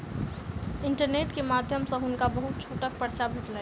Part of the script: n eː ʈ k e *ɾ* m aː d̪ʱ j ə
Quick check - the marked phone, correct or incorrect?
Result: incorrect